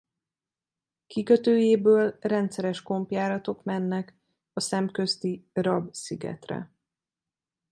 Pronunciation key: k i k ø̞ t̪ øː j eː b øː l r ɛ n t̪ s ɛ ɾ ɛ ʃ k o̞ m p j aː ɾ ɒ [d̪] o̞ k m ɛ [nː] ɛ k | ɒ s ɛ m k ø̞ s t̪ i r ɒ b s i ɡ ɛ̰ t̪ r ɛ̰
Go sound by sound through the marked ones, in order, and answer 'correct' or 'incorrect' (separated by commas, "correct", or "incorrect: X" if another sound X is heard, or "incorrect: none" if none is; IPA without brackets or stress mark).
incorrect: t̪, correct